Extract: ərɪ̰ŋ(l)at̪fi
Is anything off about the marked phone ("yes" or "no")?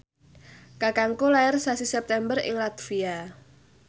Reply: no